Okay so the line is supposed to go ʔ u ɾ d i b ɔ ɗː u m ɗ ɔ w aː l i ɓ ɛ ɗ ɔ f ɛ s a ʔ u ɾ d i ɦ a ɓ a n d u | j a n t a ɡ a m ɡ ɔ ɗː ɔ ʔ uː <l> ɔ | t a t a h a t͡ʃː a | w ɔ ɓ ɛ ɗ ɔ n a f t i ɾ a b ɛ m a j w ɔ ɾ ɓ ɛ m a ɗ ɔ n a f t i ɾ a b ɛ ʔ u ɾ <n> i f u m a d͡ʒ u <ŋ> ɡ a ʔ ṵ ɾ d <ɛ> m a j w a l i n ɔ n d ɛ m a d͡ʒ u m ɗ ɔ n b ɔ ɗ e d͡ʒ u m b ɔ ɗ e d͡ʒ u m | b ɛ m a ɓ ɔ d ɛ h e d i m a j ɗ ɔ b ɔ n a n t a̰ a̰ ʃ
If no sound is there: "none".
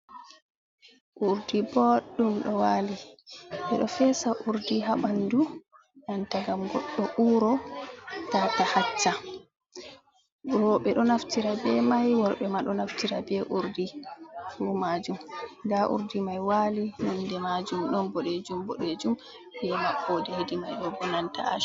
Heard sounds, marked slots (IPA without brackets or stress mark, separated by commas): ɾ, d, m, i